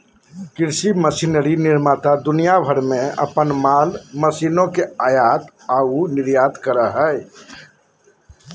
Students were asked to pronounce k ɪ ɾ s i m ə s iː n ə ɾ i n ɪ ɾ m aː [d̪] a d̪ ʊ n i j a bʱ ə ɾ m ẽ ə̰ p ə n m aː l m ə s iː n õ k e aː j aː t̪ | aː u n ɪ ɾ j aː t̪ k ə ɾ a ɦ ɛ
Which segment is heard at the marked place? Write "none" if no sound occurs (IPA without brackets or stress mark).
t̪